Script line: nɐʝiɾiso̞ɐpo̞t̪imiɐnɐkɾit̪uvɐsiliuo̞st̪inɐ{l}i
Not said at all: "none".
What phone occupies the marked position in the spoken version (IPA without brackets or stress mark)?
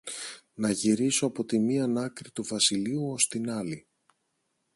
l